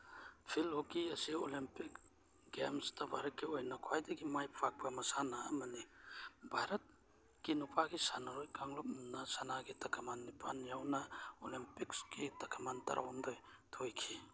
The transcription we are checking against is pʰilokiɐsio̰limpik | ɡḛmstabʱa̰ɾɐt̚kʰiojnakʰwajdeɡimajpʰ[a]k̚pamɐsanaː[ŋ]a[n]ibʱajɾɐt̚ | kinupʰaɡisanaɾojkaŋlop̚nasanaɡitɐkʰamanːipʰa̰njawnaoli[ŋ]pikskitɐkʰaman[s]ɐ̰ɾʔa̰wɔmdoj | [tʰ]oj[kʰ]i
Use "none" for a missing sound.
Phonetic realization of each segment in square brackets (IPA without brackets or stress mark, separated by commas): a, m, n, m, t, tʰ, kʰ